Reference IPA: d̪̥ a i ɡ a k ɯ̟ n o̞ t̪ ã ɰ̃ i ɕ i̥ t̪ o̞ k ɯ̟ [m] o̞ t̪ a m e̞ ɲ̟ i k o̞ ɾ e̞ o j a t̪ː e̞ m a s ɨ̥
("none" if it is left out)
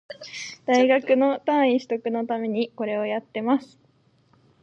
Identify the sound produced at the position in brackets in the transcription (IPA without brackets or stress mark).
n